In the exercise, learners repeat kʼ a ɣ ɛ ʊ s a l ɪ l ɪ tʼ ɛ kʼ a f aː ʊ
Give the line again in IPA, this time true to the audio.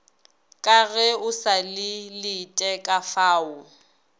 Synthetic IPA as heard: kʼ a ɣ ɛ ʊ s a l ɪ l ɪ tʼ ɛ kʼ a f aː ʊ

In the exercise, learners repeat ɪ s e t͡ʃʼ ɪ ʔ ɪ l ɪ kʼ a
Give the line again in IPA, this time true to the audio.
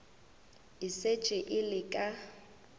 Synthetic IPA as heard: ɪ s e t͡ʃʼ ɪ ʔ ɪ l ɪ kʼ a

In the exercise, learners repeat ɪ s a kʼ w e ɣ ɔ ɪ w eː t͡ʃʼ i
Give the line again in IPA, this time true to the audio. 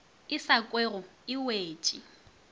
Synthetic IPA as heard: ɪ s a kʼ w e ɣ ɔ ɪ w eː t͡ʃʼ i

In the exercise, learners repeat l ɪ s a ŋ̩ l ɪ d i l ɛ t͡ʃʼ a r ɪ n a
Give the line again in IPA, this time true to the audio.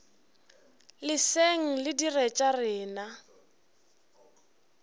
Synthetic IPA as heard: l ɪ s e ŋ̩ l ɪ d i r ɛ t͡ʃʼ a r ɪː n a

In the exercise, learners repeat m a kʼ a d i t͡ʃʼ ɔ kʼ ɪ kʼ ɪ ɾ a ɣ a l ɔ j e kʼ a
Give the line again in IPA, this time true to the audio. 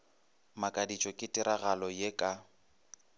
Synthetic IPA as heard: m a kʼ a d i t͡ʃʼ ɔ kʼ ɪ tʼ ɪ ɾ a ɣ a l ɔ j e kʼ a

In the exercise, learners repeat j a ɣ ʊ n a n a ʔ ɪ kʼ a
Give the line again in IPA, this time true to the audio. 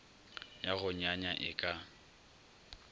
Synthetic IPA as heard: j a ɣ ʊ ɲ a ɲ a ʔ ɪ kʼ a

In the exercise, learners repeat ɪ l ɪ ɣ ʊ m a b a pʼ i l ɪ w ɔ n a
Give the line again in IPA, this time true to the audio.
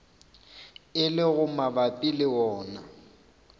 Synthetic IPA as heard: ɪ l ɪ ɣ ʊ m a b a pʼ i l ɪ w ɔː n a

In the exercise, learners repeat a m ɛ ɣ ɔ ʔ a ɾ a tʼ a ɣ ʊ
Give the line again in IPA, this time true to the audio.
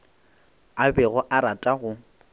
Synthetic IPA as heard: a b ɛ ɣ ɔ ʔ a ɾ a tʼ a ɣ ʊ

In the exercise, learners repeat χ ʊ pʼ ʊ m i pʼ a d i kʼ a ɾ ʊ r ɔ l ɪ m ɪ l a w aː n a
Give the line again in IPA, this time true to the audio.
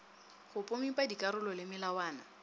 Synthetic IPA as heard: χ ʊ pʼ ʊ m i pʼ a d i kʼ a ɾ ʊ l ɔ l ɪ m ɪ l a w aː n a

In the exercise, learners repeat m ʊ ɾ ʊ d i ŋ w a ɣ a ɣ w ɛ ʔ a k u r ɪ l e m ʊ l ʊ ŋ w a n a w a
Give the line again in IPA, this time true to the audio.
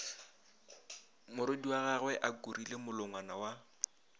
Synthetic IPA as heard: m ʊ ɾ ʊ d i w a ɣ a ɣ w ɛ ʔ a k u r i l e m ʊ l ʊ ŋ w a n a w a

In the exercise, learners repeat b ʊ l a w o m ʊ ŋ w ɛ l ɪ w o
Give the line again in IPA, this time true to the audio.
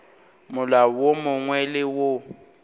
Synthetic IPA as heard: m ʊ l a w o m ʊ ŋ w ɛ l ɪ w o

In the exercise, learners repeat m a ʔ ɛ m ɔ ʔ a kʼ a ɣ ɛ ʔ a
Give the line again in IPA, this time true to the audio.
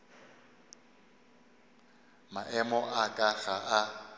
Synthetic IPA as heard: m a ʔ ɛ m ɔ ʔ a kʼ a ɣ a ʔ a

